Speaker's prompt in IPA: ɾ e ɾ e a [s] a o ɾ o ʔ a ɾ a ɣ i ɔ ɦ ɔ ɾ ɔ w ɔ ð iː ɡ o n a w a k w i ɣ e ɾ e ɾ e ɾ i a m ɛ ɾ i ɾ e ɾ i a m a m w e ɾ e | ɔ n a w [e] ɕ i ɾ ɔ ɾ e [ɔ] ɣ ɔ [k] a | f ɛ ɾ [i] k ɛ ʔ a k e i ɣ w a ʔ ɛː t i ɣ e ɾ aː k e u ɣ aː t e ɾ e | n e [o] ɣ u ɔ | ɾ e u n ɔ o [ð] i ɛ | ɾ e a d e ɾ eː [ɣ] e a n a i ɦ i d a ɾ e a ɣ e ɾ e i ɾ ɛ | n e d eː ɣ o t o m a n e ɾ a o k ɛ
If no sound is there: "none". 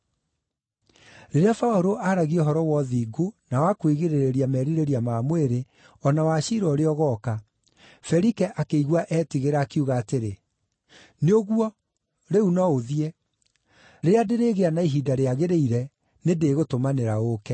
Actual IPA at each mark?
f, a, ɔ, k, i, o, ð, ɣ

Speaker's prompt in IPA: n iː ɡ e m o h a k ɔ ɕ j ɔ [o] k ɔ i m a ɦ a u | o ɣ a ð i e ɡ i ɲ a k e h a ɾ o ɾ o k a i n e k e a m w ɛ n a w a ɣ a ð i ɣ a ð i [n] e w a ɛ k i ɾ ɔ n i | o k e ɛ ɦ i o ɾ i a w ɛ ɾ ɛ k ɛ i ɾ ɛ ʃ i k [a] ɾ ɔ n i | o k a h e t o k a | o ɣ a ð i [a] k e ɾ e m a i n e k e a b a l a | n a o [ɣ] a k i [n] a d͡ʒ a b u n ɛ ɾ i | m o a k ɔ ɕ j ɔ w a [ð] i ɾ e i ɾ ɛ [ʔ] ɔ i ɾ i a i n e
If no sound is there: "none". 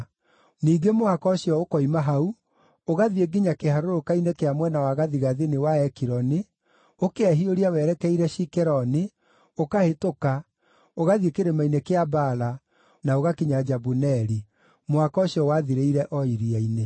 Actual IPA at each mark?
o, n, ɛ, e, ɣ, ɲ, ð, ʔ

